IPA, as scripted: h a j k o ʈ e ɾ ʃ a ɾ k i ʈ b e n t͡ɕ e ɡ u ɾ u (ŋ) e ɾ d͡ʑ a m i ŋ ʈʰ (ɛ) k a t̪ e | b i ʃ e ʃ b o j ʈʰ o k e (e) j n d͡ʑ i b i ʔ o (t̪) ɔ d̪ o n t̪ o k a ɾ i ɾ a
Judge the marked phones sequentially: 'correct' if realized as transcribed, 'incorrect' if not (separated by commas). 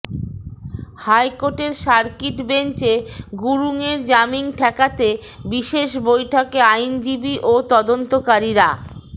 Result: correct, correct, incorrect, correct